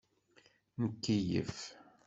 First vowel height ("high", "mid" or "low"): mid